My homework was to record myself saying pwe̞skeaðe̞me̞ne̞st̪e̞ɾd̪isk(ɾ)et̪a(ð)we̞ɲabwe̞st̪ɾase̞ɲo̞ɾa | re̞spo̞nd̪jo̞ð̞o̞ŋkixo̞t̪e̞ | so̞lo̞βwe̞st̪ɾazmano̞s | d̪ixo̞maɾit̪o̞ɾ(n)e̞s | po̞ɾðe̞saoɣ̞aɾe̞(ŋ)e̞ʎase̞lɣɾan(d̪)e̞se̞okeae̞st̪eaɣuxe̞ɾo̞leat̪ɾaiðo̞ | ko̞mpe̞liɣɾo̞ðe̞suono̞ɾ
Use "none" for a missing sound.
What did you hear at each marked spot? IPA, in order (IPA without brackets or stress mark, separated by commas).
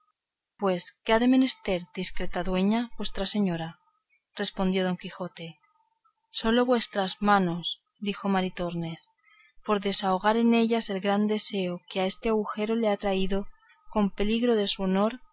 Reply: ɾ, ð, n, n, d̪